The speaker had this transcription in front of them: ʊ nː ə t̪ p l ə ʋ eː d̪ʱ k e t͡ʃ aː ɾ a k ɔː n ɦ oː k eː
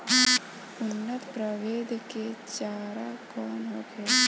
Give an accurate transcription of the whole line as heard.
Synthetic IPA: ʊ nː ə t̪ p ɾ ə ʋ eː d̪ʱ k e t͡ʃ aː ɾ a k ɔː n ɦ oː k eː